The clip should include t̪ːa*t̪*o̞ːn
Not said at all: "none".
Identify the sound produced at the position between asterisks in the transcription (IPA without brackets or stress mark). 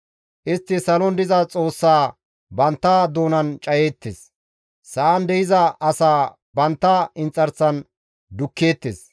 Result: d̪